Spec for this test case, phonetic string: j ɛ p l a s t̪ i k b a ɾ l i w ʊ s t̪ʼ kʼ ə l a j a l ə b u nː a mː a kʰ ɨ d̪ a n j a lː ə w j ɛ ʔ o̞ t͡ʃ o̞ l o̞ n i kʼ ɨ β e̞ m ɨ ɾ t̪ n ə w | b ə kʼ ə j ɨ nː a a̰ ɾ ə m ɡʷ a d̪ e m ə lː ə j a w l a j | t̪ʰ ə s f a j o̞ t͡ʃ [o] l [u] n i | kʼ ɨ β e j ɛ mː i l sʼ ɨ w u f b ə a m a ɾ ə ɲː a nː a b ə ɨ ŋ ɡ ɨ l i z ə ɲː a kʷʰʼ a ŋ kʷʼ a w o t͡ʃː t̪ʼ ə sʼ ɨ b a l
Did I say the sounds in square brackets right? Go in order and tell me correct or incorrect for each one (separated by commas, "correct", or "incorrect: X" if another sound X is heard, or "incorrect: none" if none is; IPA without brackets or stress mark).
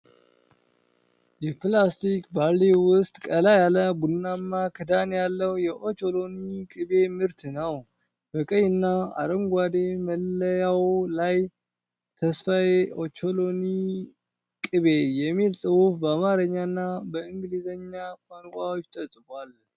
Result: correct, incorrect: o